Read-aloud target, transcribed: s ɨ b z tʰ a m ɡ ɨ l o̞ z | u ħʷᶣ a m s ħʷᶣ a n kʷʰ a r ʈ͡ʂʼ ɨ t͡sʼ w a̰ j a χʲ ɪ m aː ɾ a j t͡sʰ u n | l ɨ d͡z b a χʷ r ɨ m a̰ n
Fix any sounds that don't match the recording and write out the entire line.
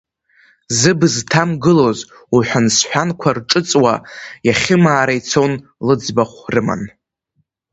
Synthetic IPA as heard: z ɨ b z tʰ a m ɡ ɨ l o̞ z | u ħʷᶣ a n s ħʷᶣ a n kʷʰ a r ʈ͡ʂʼ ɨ t͡sʼ w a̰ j a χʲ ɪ m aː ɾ a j t͡sʰ o n | l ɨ d͡z b a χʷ r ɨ m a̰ n